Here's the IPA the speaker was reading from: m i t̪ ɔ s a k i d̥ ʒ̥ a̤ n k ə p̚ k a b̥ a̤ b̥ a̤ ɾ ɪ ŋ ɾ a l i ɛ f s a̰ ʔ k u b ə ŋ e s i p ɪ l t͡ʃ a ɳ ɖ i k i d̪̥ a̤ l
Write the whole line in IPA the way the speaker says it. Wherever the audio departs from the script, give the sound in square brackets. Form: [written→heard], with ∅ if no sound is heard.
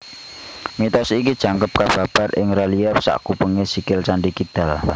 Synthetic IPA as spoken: m i t̪ ɔ s [a→i] k i d̥ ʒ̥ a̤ [n→ŋ] k ə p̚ k a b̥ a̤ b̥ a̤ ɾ ɪ ŋ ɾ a l i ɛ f s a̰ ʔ k u [b→p] ə ŋ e s i [p→k] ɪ l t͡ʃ a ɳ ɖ i k i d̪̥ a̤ l